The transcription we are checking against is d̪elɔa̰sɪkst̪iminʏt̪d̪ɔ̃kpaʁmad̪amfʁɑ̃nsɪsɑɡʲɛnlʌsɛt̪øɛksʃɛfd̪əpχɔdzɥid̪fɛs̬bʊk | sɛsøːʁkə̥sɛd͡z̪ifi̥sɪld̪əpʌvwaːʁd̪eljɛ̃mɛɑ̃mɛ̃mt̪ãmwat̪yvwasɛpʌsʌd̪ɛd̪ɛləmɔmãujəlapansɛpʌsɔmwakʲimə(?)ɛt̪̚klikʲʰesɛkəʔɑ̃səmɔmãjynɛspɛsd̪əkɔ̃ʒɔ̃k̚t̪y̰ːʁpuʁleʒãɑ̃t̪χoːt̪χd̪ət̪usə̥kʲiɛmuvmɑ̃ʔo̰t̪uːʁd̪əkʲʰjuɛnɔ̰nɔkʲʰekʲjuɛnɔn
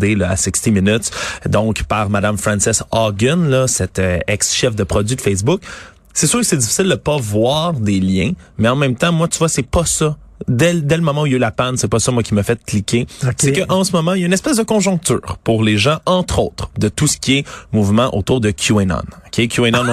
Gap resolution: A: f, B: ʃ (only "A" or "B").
A